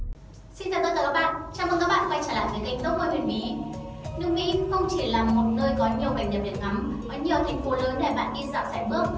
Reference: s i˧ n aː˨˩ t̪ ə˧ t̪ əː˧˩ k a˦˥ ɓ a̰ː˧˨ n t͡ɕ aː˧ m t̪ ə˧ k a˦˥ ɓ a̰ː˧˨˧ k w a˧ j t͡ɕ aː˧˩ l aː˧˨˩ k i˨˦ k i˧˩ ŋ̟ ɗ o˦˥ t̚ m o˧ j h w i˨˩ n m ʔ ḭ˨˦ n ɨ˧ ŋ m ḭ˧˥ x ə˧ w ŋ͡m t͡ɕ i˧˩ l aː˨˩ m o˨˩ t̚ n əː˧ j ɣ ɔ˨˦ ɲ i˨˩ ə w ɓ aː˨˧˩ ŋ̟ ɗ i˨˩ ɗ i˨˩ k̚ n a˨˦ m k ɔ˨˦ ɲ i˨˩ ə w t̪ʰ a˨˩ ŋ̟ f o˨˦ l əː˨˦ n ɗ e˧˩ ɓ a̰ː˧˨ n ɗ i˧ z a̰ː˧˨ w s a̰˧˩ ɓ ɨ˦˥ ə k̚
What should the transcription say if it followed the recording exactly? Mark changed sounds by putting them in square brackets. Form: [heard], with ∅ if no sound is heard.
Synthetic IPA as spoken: s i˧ n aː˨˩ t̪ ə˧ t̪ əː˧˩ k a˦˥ ɓ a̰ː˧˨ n t͡ɕ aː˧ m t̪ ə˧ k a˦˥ ɓ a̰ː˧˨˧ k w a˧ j t͡ɕ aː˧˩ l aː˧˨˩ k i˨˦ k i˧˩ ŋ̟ ɗ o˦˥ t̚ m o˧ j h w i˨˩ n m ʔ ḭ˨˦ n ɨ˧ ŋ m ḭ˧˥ x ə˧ w ŋ͡m t͡ɕ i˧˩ l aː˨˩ m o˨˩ t̚ n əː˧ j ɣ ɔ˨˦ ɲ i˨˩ ə w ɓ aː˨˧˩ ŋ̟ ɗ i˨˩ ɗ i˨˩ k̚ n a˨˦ m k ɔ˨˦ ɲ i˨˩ ə w t̪ʰ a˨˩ ŋ̟ f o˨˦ l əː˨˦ n ɗ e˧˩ ɓ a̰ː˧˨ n ɗ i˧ z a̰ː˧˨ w s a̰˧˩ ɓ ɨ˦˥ ə k̚